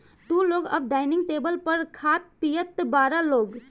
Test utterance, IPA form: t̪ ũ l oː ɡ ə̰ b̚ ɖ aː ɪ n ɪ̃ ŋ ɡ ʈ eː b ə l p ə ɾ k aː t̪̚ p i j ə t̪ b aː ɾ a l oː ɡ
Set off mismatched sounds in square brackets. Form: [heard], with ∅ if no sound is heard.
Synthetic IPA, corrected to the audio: t̪ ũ l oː ɡ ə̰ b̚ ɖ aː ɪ n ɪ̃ ŋ ɡ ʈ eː b ə l p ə ɾ [kʰ] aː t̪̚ p i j ə t̪ b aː ɾ a l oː ɡ

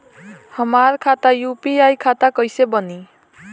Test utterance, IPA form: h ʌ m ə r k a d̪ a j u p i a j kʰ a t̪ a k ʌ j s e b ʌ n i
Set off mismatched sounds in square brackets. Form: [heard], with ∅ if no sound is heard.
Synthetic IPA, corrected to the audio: h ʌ m [a] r [kʰ] a [t̪] a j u p i a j kʰ a t̪ a k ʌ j s e b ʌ n i

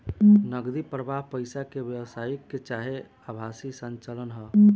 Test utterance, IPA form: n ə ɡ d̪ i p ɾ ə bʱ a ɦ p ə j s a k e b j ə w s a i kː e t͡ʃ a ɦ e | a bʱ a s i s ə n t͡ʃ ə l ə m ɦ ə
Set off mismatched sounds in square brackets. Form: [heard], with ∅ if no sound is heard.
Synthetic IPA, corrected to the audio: n ə ɡ d̪ i p ɾ ə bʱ a ɦ p ə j s a k e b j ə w s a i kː e t͡ʃ a ɦ e | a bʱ a s i s ə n t͡ʃ ə l ə [n] ɦ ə

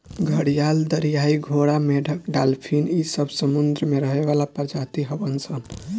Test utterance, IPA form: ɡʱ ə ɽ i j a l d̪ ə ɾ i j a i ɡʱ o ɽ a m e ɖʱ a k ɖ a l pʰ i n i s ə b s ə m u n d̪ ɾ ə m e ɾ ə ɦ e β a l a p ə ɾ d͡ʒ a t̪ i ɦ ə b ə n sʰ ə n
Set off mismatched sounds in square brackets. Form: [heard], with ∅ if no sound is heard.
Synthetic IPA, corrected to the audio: ɡʱ ə ɽ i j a l d̪ ə ɾ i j a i ɡʱ o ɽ a m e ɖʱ [ə] k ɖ a l pʰ i n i s ə b s ə m u n d̪ ɾ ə m e ɾ ə ɦ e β a l a p ə ɾ d͡ʒ a t̪ i ɦ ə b ə n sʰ ə n

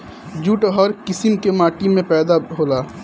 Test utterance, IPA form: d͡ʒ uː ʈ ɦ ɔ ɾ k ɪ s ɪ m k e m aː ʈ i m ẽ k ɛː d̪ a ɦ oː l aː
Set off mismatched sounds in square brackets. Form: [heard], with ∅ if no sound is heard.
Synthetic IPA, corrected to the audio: d͡ʒ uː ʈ ɦ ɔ ɾ k ɪ s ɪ m k e m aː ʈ i m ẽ [p] ɛː d̪ a ɦ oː l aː

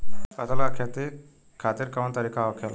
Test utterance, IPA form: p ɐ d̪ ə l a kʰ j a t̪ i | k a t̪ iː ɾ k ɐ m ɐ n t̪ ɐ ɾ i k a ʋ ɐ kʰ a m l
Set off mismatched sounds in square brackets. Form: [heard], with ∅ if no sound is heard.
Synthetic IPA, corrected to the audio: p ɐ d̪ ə l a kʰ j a t̪ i | [kʰ] a t̪ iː ɾ k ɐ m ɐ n t̪ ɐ ɾ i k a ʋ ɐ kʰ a [∅] l

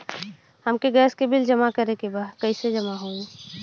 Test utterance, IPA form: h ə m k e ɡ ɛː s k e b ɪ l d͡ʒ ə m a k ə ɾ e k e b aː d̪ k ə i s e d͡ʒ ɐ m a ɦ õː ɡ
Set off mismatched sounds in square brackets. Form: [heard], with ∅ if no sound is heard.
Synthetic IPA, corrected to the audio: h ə m k e ɡ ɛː s k e b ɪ l d͡ʒ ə m a k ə ɾ e k e b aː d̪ k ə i s e d͡ʒ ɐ m a ɦ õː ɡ

